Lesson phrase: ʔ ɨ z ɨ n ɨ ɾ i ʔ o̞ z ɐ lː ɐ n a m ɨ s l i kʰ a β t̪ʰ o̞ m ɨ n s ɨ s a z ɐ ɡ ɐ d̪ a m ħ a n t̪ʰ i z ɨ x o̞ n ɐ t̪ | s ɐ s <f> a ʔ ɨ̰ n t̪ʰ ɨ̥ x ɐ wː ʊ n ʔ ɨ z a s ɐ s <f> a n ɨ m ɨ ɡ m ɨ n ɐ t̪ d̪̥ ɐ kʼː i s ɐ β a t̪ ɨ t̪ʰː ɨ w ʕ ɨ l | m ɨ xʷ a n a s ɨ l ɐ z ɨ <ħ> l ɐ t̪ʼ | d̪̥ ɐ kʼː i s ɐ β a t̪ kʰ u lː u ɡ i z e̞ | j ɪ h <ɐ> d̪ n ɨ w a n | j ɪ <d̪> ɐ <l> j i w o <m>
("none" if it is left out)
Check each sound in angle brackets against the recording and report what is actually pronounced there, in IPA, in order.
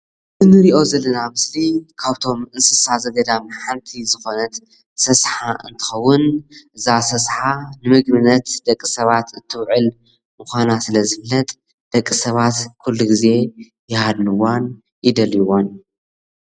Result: ħ, ħ, f, a, d̪, l, n

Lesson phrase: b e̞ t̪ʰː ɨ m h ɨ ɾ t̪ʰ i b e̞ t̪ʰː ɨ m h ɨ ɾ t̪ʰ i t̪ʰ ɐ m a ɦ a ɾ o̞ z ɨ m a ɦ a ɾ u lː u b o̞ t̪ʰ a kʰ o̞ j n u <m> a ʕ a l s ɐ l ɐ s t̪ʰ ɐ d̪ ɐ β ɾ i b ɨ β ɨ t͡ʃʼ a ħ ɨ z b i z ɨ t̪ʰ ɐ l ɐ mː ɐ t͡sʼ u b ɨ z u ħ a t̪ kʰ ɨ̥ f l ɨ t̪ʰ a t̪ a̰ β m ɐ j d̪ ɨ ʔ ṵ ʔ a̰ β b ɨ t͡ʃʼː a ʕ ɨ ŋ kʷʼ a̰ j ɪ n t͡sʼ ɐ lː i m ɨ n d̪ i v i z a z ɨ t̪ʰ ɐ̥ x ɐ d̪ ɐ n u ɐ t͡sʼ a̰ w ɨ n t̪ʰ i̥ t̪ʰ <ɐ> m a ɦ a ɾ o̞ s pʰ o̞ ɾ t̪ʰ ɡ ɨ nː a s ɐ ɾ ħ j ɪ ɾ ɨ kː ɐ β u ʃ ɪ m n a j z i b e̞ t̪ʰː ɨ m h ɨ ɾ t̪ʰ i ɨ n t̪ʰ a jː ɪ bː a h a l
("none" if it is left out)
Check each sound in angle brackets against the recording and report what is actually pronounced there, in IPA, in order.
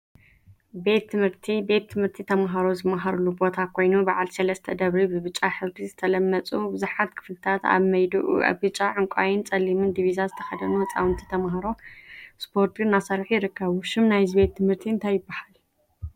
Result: b, ɐ

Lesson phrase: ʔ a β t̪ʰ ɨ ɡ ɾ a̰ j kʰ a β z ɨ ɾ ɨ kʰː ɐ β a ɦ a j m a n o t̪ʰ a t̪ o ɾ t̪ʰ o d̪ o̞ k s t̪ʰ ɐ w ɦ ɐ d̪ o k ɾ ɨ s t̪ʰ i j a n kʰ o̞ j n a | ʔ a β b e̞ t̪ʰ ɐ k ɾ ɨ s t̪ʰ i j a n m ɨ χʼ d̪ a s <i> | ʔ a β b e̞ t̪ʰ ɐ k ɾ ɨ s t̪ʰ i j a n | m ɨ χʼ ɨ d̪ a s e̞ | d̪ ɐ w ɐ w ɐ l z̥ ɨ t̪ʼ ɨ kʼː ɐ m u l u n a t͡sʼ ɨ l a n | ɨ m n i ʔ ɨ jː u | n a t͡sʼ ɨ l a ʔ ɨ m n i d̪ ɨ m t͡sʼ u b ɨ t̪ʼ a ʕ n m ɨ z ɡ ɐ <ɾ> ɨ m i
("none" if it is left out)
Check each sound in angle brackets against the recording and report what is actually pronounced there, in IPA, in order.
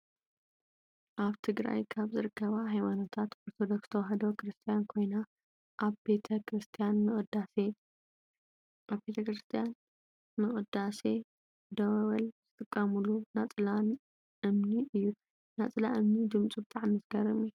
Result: e, ɾ

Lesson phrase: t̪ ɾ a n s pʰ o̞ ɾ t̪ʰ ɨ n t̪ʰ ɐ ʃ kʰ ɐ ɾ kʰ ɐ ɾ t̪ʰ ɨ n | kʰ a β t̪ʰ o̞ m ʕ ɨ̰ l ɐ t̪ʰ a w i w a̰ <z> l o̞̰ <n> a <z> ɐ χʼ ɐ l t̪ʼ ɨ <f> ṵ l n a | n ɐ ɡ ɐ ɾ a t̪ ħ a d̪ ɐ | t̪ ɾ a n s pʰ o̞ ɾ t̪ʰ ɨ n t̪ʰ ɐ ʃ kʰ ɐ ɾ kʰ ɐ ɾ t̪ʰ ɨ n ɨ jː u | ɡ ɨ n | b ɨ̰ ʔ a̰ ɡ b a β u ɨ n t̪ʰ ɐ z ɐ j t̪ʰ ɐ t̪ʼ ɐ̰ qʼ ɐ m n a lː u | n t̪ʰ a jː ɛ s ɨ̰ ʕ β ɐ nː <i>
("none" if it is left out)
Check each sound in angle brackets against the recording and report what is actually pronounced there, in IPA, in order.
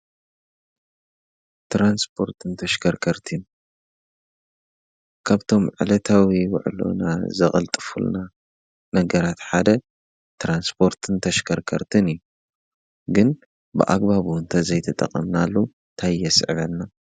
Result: ʕ, n, z, f, a

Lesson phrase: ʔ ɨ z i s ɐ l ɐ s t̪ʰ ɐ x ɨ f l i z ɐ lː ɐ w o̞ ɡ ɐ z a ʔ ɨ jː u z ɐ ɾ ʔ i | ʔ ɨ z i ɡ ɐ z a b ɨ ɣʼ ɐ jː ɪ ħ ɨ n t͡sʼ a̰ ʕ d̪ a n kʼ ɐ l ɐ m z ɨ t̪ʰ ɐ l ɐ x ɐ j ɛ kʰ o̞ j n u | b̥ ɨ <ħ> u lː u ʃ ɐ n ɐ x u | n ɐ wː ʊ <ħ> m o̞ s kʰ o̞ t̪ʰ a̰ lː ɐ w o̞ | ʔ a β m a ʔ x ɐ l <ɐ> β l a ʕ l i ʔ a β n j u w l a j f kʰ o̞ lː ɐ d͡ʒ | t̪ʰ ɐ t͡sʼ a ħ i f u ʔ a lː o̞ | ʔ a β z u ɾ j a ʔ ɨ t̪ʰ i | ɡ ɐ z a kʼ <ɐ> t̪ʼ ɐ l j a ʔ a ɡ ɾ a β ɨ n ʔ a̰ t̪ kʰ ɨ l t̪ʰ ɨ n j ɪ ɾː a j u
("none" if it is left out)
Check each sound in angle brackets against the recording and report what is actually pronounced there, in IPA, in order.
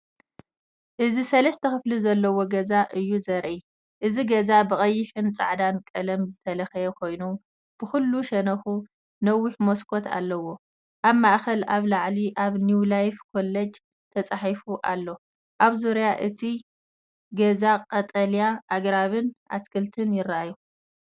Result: x, ħ, a, ɐ

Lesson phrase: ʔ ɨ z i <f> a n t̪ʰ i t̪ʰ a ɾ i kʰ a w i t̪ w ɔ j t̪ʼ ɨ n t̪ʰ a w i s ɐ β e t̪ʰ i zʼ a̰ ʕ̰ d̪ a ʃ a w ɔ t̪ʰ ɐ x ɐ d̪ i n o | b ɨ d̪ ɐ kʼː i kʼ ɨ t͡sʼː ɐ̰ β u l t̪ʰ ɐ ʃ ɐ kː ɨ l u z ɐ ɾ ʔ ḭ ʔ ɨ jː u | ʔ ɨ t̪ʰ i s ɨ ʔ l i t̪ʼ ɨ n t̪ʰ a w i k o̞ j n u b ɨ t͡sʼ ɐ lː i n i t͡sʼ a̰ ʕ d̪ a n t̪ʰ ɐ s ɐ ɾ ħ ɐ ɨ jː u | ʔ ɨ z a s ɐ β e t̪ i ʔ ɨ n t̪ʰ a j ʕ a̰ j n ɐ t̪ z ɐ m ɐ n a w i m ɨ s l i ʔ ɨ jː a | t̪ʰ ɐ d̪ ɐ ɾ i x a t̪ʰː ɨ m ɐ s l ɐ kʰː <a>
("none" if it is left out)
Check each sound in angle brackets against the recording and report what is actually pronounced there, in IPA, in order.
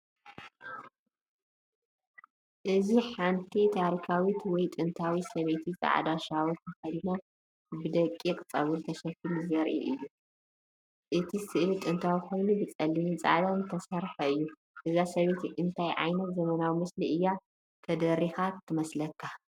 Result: ħ, a

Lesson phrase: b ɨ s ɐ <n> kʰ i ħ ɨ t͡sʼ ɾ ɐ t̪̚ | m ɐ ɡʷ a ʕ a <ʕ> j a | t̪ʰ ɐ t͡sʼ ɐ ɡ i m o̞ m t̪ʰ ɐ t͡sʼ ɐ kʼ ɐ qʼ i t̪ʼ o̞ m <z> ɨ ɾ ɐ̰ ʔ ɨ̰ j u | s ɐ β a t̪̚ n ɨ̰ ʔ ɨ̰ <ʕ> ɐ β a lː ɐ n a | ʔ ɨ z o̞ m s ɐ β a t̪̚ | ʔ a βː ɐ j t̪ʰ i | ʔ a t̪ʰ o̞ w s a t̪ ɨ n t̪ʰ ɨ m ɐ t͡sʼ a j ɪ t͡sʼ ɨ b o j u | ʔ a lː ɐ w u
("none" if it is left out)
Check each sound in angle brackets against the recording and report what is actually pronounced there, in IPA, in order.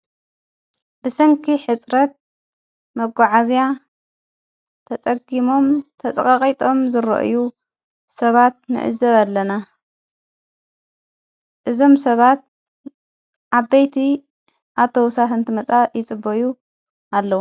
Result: ŋ, z, z, z

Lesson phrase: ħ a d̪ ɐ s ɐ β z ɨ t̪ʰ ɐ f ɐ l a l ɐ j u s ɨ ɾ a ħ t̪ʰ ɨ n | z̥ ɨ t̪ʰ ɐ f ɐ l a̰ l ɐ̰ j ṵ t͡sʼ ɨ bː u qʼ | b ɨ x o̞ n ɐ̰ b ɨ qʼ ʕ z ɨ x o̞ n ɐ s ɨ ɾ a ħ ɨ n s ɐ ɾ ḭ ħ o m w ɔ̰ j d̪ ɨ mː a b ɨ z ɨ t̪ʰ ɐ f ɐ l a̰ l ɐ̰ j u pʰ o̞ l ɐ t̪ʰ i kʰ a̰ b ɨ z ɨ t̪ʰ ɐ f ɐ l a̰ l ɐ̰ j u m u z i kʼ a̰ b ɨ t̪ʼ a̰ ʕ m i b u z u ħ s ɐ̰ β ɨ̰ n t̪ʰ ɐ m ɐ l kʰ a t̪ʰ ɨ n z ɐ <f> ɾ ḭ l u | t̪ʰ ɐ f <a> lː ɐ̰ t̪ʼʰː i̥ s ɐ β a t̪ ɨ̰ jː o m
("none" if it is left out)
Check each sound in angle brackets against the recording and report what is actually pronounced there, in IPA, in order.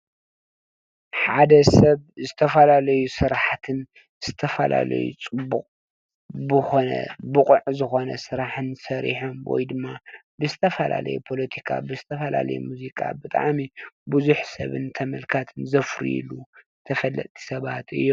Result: f, ɐ

